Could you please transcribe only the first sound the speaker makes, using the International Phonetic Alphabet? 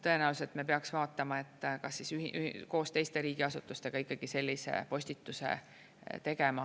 t̪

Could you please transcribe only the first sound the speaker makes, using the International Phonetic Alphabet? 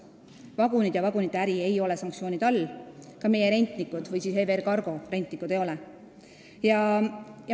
v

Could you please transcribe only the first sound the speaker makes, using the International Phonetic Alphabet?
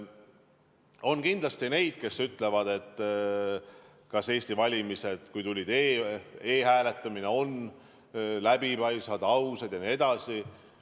o̞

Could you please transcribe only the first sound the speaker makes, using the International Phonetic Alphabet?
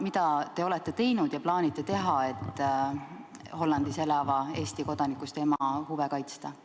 m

